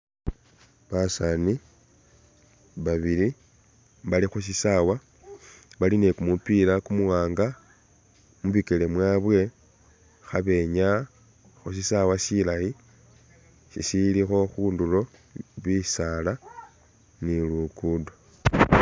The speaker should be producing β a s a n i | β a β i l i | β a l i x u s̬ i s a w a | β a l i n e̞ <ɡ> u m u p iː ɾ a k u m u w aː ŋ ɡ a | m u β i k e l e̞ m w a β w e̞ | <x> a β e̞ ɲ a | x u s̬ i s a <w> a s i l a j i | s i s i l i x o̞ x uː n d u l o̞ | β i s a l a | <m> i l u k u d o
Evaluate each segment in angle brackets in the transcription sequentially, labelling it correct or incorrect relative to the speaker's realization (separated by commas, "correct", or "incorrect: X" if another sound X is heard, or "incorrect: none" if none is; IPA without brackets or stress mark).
incorrect: k, correct, correct, incorrect: n